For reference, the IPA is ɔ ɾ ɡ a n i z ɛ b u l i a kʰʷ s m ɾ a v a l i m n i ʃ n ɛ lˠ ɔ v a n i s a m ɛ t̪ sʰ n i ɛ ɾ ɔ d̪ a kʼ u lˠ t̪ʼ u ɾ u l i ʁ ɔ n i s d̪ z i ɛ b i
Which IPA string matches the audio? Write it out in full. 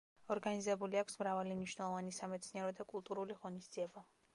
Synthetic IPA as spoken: ɔ ɾ ɡ a n i z ɛ b u l i a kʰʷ s m ɾ a v a l i m n i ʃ n ɛ lˠ ɔ v a n i s a m ɛ t̪ sʰ n i ɛ ɾ ɔ d̪ a kʼ u lˠ t̪ʼ u ɾ u l i ʁ ɔ n i s d̪ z i ɛ b a